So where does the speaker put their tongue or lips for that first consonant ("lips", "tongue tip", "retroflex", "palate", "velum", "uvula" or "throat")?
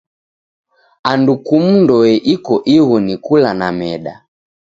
tongue tip